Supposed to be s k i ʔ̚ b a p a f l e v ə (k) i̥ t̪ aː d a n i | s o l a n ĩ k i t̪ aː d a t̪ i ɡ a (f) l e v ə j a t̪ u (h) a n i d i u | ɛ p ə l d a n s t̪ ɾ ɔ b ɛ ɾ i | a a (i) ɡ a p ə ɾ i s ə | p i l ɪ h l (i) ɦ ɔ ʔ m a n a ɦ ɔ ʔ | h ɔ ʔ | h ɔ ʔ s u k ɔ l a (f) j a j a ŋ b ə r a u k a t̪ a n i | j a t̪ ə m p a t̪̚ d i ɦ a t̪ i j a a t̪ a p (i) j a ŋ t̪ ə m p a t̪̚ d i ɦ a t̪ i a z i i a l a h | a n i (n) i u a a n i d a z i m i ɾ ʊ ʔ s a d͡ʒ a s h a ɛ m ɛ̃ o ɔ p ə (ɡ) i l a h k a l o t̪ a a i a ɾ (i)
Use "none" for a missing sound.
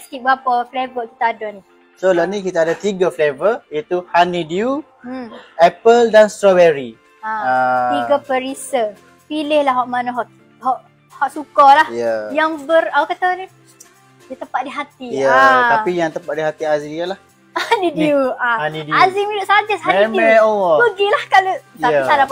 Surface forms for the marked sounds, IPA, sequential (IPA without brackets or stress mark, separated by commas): k, f, h, i, a, h, i, d, ɡ, a